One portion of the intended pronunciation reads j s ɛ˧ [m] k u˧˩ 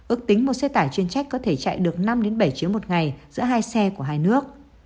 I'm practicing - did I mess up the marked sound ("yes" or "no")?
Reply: yes